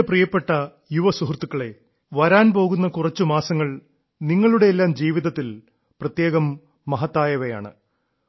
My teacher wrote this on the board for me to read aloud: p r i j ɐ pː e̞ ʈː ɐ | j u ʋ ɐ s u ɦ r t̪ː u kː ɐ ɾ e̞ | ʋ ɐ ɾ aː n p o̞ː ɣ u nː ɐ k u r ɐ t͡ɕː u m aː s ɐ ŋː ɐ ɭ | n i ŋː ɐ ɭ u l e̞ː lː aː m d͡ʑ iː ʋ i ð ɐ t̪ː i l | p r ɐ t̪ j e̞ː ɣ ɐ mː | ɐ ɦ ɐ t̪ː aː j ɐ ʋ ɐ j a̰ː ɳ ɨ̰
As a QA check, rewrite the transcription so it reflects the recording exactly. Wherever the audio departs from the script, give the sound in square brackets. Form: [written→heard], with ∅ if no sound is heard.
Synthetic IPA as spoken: p r i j ɐ pː e̞ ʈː ɐ | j u ʋ ɐ s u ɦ r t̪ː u kː ɐ [ɾ→ɭ] e̞ | ʋ ɐ ɾ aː n p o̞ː ɣ u nː ɐ k u r ɐ t͡ɕː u m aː s ɐ ŋː ɐ ɭ | n i ŋː ɐ ɭ u [l→ɽ] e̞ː lː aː m d͡ʑ iː ʋ i ð ɐ t̪ː i l | p r ɐ t̪ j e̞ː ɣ ɐ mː | ɐ ɦ ɐ t̪ː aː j ɐ ʋ ɐ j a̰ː ɳ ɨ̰

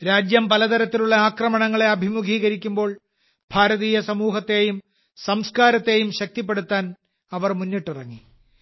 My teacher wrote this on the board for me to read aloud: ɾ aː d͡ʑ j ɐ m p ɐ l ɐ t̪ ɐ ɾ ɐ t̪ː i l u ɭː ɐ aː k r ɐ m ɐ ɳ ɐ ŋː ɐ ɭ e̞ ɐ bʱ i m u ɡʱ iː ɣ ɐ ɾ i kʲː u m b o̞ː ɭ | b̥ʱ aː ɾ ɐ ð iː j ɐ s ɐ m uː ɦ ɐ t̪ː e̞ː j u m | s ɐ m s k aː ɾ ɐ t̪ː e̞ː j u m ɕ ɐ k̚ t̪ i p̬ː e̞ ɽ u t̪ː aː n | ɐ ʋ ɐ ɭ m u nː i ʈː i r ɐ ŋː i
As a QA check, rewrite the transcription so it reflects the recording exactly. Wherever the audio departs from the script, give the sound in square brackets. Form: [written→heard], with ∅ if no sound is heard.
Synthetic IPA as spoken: ɾ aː d͡ʑ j ɐ m p ɐ l ɐ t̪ ɐ ɾ ɐ t̪ː i l u ɭː ɐ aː k r ɐ m ɐ ɳ ɐ ŋː ɐ ɭ e̞ ɐ bʱ i m u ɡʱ iː ɣ ɐ ɾ i kʲː u m b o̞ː ɭ | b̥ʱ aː ɾ ɐ ð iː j ɐ s ɐ m uː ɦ ɐ t̪ː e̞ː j u m | s ɐ m s k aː ɾ ɐ t̪ː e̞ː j u m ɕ ɐ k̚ t̪ i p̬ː e̞ ɽ u t̪ː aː n | ɐ ʋ ɐ [ɭ→r] m u nː i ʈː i r ɐ ŋː i

